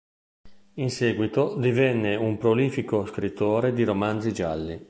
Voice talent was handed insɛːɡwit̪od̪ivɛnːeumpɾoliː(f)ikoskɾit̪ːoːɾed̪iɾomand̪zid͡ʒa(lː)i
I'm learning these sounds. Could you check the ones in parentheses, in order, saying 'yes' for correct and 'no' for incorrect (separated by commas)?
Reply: yes, yes